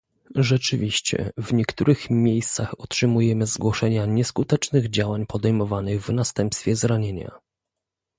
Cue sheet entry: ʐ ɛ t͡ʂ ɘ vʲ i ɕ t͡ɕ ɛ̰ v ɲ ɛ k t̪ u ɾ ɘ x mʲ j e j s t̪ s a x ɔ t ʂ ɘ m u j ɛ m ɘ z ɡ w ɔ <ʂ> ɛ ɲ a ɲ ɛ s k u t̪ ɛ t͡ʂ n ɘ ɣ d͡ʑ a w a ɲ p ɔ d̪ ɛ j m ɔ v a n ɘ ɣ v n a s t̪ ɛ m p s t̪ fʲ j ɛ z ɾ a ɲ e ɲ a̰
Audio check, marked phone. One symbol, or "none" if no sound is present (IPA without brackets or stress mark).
ʂ